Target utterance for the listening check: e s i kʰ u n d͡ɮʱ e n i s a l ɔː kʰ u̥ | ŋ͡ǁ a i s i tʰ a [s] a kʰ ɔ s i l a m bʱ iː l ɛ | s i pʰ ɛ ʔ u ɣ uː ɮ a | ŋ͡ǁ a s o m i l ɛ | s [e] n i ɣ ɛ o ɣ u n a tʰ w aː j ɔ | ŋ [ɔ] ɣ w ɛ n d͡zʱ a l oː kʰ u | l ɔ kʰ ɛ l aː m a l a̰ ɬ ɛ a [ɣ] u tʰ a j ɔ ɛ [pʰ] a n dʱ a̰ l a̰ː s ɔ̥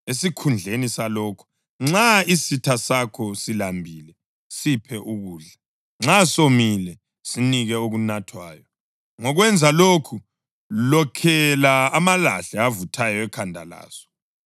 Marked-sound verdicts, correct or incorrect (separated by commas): correct, incorrect, correct, incorrect, incorrect